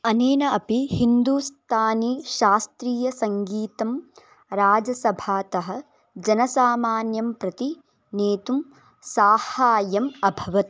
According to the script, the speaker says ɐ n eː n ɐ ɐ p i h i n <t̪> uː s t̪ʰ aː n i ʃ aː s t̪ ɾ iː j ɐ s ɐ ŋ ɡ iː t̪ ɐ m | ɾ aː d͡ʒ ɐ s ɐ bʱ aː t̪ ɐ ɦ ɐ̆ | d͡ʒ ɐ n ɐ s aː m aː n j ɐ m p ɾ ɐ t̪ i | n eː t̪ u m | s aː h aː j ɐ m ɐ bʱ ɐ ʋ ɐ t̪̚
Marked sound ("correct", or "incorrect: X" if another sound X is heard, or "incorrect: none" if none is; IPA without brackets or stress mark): incorrect: d̪